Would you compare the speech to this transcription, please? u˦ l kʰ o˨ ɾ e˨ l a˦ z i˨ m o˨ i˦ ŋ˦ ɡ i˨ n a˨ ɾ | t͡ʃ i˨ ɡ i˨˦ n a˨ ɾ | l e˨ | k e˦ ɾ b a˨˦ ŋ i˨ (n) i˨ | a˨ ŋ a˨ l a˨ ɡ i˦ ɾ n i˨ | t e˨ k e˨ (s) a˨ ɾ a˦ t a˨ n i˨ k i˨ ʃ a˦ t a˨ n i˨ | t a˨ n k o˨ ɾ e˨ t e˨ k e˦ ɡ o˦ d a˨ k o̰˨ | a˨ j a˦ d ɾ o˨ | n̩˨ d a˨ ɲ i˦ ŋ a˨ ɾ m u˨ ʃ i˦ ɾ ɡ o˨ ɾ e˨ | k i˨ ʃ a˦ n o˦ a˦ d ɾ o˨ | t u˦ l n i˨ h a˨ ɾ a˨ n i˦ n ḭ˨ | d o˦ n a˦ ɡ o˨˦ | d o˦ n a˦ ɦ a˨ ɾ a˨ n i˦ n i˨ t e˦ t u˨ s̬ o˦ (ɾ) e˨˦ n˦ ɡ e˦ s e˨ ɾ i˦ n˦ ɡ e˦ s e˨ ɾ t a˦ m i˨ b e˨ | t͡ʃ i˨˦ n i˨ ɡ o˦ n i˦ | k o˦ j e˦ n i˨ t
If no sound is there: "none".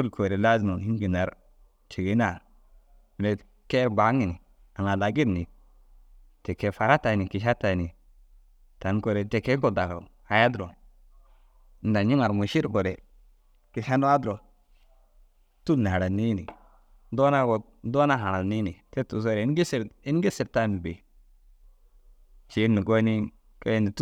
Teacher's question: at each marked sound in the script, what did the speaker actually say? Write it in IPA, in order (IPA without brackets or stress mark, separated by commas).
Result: n, f, ɾ